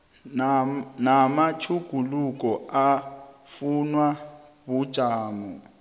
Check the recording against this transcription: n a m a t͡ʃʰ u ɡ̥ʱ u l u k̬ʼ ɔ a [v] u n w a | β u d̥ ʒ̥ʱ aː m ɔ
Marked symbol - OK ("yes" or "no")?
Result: no